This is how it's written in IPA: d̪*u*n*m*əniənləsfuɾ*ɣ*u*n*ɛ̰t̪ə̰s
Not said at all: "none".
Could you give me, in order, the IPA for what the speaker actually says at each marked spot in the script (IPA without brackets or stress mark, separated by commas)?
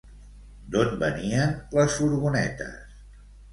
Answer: o, b, ɣ, n